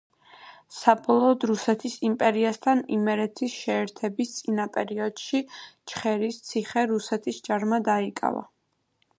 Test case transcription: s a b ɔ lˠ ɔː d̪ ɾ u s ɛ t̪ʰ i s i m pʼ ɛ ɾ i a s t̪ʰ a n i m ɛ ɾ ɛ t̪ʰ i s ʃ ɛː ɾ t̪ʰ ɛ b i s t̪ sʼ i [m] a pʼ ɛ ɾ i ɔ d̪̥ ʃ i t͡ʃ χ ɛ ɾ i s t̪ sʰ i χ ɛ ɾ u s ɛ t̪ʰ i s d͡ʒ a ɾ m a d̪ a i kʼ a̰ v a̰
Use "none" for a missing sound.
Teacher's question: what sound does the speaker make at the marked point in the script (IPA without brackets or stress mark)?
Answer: n